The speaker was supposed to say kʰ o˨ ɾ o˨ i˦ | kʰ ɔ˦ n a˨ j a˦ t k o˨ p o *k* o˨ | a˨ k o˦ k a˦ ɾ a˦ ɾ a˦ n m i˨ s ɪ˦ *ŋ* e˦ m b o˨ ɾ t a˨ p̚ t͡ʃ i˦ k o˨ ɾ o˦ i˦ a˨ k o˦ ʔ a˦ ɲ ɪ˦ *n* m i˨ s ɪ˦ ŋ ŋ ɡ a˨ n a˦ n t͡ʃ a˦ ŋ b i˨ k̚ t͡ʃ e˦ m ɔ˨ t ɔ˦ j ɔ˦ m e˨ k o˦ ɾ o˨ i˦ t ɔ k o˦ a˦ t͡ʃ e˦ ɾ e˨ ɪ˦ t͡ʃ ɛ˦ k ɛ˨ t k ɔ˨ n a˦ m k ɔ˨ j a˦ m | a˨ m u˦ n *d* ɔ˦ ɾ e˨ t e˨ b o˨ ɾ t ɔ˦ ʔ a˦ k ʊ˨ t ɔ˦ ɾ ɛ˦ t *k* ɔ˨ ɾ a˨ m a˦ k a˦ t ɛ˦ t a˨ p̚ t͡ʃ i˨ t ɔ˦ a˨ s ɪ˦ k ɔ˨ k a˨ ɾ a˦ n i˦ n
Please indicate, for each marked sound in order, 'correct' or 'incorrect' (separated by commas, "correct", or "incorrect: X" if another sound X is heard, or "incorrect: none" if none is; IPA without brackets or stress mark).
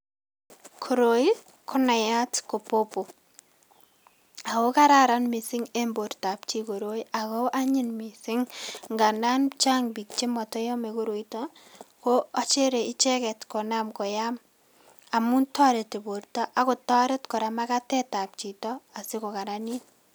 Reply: incorrect: p, correct, correct, incorrect: t, correct